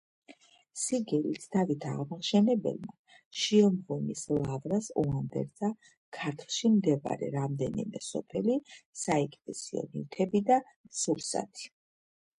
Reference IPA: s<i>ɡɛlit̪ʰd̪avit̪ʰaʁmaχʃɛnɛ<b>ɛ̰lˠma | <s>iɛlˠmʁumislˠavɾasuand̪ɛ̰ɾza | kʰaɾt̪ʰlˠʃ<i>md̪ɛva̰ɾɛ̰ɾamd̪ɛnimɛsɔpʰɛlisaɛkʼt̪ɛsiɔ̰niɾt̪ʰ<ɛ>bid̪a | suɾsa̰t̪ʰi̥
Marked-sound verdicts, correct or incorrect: correct, correct, incorrect, correct, correct

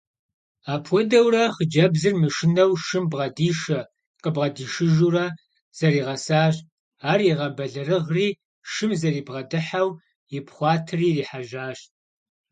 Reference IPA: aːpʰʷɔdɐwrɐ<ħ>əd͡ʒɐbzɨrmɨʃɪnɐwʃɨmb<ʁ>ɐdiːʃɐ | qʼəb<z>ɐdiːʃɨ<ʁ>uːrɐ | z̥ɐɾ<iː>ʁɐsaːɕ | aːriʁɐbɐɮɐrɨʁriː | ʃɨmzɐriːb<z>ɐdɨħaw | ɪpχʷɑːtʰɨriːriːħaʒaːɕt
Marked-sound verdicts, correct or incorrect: incorrect, correct, incorrect, incorrect, correct, incorrect

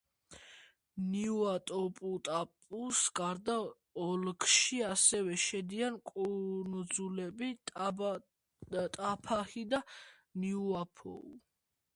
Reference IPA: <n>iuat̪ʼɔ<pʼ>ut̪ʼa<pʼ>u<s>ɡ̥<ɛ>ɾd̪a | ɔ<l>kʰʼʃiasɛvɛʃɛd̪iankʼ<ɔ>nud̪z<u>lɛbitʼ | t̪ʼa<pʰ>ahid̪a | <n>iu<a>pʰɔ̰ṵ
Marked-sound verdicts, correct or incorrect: correct, correct, correct, correct, incorrect, correct, incorrect, correct, correct, correct, correct

